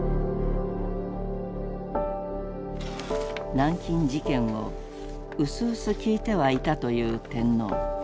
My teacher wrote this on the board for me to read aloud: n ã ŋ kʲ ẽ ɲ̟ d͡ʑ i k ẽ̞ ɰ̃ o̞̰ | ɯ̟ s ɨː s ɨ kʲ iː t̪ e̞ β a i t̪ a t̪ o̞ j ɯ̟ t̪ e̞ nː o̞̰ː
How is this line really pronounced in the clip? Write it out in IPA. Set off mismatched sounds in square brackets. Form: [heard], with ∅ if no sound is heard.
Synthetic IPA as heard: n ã ŋ kʲ [ĩ] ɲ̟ d͡ʑ i k ẽ̞ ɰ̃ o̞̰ | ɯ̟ s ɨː s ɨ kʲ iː t̪ e̞ β a i t̪ a t̪ o̞ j [ɯ̟ː] t̪ [ẽ̞] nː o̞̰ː

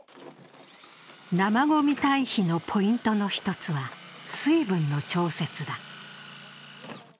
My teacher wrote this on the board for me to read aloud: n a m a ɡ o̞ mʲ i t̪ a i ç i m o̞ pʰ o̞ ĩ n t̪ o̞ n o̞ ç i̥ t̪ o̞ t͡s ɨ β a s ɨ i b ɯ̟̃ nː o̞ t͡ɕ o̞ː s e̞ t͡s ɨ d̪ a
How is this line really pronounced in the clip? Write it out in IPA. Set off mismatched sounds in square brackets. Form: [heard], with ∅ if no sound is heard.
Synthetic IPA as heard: n a m a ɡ o̞ mʲ i t̪ a i ç i [n] o̞ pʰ o̞ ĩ n t̪ o̞ n o̞ ç i̥ t̪ o̞ t͡s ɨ β a s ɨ i b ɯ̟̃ nː o̞ t͡ɕ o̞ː s e̞ t͡s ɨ d̪ a

